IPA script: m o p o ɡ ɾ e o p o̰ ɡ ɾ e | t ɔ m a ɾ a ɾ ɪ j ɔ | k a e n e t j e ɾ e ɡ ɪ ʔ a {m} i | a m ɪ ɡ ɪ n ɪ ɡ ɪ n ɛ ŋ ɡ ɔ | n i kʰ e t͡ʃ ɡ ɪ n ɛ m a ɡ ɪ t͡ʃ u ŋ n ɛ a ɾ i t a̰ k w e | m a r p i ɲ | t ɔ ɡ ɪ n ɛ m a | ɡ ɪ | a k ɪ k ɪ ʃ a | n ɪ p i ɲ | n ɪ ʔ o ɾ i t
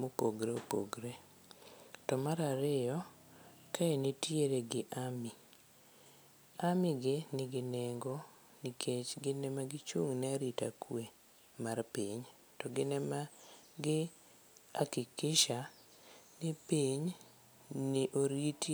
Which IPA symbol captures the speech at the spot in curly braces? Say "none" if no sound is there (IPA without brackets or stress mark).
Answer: m